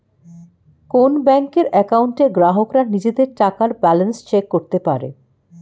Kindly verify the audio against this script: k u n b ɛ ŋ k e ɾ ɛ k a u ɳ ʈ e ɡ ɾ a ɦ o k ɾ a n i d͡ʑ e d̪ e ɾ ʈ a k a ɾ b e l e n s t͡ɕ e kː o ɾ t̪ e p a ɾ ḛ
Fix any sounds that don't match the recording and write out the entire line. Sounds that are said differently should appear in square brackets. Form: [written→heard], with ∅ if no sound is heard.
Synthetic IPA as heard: k [u→o] n b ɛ ŋ k e ɾ ɛ k a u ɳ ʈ e ɡ ɾ a ɦ o k ɾ a n i d͡ʑ e d̪ e ɾ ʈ a k a ɾ b [e→ɛ] l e n s t͡ɕ e kː o ɾ t̪ e p a ɾ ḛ

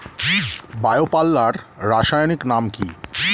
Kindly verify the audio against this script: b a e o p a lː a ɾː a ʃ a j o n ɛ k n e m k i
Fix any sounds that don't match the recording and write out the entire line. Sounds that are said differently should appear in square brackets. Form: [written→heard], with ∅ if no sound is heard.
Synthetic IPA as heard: b a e o p a lː a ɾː a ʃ a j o n [ɛ→i] k n [e→a] m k i

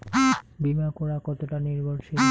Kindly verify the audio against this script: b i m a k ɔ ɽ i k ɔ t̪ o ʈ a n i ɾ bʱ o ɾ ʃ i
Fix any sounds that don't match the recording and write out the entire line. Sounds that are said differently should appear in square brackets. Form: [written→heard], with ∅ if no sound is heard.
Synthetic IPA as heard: b i m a k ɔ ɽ [i→a] k ɔ t̪ o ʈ a n i ɾ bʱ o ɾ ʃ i

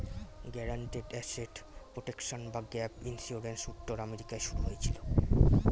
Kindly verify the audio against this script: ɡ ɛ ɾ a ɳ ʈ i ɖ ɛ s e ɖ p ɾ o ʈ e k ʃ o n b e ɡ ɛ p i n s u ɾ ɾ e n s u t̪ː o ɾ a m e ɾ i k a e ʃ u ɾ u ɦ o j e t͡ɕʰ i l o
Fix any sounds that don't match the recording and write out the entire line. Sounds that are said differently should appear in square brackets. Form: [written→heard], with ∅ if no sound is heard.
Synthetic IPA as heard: ɡ ɛ ɾ a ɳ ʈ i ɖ ɛ s e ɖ p ɾ o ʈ e k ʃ o n b [e→a] ɡ ɛ p i n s u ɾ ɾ e n s u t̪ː o ɾ a m e ɾ i k a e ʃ u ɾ u ɦ o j e t͡ɕʰ i l o

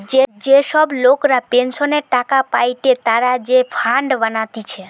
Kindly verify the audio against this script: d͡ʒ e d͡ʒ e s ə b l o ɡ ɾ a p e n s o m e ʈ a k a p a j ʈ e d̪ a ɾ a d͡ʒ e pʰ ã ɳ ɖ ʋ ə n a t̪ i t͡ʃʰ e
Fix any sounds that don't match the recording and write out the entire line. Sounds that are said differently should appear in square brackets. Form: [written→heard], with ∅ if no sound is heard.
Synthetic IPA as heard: d͡ʒ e d͡ʒ e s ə b l o [ɡ→k] ɾ a p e n s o [m→n] e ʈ a k a p a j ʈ e [d̪→t̪] a ɾ a d͡ʒ e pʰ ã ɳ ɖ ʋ ə n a t̪ i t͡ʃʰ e

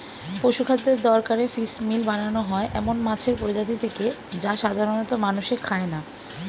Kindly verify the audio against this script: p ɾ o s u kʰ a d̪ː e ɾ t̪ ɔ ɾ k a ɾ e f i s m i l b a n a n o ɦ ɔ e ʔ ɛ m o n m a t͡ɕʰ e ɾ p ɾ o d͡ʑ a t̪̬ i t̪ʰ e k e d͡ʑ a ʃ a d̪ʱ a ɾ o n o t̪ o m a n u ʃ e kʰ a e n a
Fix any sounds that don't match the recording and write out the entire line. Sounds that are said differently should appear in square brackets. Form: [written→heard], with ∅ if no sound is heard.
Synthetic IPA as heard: p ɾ o [s→ʃ] u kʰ a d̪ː e ɾ [t̪→d̪] ɔ ɾ k a ɾ e f i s m i l b a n a n o ɦ ɔ e ʔ ɛ m o n m a t͡ɕʰ e ɾ p ɾ o d͡ʑ a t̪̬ i t̪ʰ e k e d͡ʑ a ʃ a d̪ʱ a ɾ o n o t̪ o m a n u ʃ e kʰ a e n a

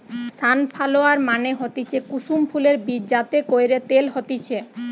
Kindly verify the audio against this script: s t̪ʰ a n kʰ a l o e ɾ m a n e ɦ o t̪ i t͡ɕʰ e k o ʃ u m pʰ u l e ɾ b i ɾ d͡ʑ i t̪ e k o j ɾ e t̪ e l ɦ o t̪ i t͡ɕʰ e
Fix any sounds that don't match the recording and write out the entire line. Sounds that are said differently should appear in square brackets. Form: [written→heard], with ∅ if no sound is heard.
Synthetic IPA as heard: s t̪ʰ a n [kʰ→pʰ] a l o [e→a] ɾ m a n e ɦ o t̪ i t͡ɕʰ e k [o→u] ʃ u m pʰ u l e ɾ b i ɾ d͡ʑ [i→a] t̪ e k o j ɾ e t̪ e l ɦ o t̪ i t͡ɕʰ e

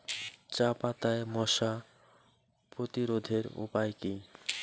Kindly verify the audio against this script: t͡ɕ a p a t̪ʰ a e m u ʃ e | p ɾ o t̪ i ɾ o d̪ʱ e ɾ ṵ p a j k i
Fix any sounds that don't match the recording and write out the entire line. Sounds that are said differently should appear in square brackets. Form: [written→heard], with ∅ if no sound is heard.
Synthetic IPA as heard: t͡ɕ a p a [t̪ʰ→t̪] a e m [u→ɔ] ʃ [e→a] | p ɾ o t̪ i ɾ o d̪ʱ e ɾ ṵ p a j k i

